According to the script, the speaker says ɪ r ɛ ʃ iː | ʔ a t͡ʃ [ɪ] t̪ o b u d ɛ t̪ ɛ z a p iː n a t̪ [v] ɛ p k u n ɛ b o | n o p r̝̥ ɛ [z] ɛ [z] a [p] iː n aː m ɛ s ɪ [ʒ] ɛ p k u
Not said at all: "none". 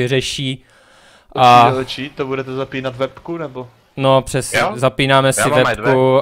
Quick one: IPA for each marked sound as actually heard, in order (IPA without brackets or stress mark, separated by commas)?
i, v, s, z, p, v